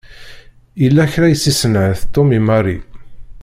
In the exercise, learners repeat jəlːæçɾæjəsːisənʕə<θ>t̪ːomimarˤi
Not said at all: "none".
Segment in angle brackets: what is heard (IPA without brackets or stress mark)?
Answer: θ